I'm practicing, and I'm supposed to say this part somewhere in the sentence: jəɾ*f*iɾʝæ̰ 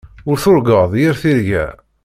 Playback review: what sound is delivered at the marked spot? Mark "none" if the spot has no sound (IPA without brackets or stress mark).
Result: θ